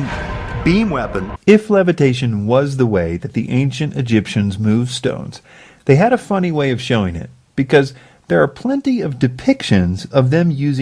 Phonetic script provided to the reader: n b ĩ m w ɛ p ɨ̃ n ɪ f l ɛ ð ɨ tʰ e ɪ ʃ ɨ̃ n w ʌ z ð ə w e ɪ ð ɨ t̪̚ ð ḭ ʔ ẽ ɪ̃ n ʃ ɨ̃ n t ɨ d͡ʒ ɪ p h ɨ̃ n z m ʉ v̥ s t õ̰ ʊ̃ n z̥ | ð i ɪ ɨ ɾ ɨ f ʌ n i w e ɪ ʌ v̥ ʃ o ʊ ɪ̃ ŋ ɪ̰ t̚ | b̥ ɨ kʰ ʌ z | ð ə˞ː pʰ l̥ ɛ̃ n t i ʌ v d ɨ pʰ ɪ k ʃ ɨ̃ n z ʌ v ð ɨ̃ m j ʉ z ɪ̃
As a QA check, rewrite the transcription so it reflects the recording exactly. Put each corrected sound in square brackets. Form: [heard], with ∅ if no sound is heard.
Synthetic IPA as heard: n b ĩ m w ɛ p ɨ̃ n ɪ f l ɛ [v] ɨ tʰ e ɪ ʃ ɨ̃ n w ʌ z ð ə w e ɪ ð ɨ t̪̚ ð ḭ ʔ ẽ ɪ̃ n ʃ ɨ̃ n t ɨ d͡ʒ ɪ p [ʃ] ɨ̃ n z m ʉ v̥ s t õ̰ ʊ̃ n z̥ | ð [e] ɪ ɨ ɾ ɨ f ʌ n i w e ɪ ʌ v̥ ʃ o ʊ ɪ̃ ŋ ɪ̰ t̚ | b̥ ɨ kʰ ʌ z | ð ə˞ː pʰ l̥ ɛ̃ n t i ʌ v d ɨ pʰ ɪ k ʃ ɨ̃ n z ʌ v ð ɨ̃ m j ʉ z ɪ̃